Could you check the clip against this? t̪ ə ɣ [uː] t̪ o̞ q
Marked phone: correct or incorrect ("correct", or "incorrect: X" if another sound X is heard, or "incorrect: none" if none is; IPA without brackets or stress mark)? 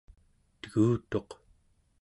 correct